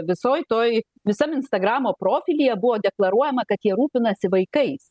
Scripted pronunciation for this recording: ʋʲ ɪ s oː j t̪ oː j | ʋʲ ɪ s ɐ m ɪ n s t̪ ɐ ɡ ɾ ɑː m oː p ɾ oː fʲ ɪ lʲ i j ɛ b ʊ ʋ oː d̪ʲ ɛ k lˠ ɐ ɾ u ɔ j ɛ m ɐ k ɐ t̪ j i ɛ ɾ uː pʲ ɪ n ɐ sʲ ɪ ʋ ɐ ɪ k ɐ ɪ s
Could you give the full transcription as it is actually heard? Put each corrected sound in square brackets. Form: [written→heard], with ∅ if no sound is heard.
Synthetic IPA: ʋʲ ɪ s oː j t̪ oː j | ʋʲ ɪ s ɐ m ɪ n s t̪ ɐ ɡ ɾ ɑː m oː p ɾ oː fʲ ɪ lʲ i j ɛ b ʊ ʋ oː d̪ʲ ɛ k lˠ ɐ ɾ u ɔ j ɛ m ɐ k ɐ t̪ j i ɛ ɾ uː pʲ ɪ n ɐ sʲ ɪ ʋ ɐ ɪ k ɐ ɪ s